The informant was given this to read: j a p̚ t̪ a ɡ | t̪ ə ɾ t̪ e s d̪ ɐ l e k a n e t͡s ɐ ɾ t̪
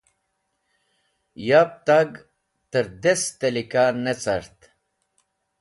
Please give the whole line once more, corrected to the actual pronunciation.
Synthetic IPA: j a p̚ t̪ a ɡ | t̪ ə ɾ d̪ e s t̪ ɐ l i k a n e t͡s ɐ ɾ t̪